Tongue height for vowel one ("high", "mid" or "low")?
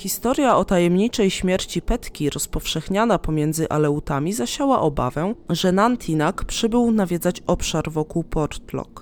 high